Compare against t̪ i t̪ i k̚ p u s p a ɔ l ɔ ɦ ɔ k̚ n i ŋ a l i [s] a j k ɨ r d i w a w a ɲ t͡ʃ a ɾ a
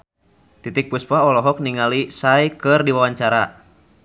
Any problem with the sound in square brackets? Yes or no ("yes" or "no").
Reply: no